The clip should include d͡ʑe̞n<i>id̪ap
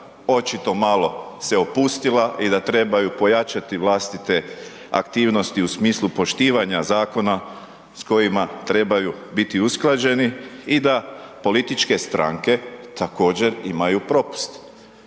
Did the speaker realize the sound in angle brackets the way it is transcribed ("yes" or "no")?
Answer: yes